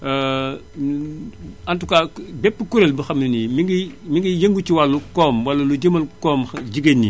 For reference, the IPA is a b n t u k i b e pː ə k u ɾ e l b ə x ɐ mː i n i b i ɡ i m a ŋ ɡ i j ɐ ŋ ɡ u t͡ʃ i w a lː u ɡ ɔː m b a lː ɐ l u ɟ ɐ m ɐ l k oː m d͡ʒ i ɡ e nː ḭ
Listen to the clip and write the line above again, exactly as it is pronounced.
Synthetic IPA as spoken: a n t u k a b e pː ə k u ɾ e l b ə x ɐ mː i n i m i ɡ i m i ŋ ɡ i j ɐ ŋ ɡ u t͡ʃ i w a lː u k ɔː m w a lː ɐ l u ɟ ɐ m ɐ l k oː m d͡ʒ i ɡ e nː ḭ